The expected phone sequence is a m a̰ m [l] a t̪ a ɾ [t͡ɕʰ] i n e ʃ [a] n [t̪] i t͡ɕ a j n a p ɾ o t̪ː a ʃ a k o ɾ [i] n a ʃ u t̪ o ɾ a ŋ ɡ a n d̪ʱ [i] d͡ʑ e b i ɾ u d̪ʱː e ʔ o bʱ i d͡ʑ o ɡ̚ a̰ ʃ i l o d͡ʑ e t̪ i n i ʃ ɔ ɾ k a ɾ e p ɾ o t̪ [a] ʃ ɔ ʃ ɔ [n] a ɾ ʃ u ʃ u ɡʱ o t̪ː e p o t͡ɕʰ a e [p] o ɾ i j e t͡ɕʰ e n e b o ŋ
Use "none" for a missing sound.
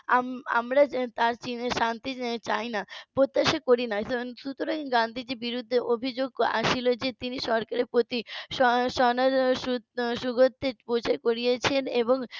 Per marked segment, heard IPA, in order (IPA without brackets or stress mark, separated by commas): ɾ, t͡ɕ, a, t̪, i, i, i, n, k